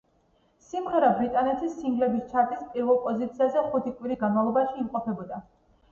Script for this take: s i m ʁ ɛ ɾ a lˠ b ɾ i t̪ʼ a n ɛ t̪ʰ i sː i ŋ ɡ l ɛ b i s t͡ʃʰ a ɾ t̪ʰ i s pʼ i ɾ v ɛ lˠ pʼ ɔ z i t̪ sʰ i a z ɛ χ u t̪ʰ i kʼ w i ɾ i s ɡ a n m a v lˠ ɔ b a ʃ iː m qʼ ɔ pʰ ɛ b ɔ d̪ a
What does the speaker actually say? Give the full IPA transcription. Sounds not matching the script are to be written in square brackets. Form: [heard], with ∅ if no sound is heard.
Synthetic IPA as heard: s i m ʁ ɛ ɾ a [∅] b ɾ i t̪ʼ a n ɛ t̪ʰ i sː i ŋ ɡ l ɛ b i s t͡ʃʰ a ɾ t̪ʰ i s pʼ i ɾ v ɛ lˠ pʼ ɔ z i t̪ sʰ i a z ɛ χ u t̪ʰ i kʼ w i ɾ i s ɡ a n m a v lˠ ɔ b a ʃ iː m qʼ ɔ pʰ ɛ b ɔ d̪ a